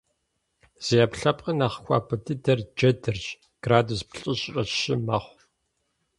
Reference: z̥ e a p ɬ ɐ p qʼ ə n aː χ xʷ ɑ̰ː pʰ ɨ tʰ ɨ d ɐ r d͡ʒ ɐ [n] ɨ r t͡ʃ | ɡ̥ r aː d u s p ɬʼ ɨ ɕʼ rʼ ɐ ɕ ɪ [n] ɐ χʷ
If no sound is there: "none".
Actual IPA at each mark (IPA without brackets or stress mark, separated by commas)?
d, m